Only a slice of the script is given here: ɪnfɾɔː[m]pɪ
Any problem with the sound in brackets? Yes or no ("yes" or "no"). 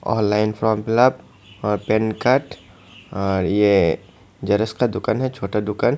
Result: no